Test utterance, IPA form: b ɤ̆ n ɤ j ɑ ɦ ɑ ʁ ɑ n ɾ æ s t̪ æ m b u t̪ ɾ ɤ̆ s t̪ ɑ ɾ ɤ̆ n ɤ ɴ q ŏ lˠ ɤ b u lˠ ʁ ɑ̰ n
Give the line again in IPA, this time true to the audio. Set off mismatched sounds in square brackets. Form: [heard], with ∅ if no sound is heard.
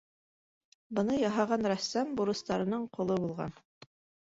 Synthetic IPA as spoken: b ɤ̆ n ɤ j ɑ ɦ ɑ ʁ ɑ n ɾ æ s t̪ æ m b u [∅] ɾ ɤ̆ s t̪ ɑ ɾ ɤ̆ n ɤ ɴ q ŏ lˠ ɤ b u lˠ ʁ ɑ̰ n